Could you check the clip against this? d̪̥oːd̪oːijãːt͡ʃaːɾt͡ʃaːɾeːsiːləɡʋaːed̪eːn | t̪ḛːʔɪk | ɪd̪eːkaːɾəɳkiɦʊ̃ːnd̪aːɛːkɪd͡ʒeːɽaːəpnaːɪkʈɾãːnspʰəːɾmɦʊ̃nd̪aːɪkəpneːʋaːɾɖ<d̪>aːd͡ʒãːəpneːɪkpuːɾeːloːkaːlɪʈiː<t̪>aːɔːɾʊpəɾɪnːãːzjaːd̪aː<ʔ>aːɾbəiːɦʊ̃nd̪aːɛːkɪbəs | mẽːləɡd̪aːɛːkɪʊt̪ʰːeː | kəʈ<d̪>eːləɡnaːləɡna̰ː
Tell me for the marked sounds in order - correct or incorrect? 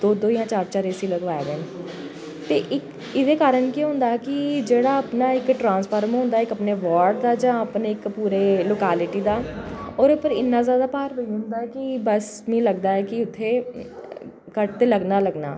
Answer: correct, incorrect, incorrect, incorrect

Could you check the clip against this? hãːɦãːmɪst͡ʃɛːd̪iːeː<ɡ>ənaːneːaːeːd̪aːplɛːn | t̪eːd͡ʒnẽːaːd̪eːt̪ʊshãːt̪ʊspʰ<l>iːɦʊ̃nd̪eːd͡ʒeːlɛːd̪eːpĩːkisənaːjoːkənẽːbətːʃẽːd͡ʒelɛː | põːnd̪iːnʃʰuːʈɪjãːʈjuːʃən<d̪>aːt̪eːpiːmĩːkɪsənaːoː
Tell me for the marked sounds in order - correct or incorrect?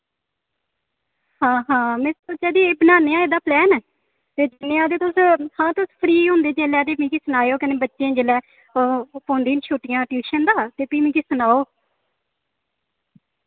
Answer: incorrect, incorrect, correct

